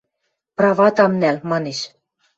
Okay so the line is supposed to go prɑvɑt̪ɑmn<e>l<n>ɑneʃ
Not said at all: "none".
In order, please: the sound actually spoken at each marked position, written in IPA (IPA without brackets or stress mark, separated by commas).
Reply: æ, m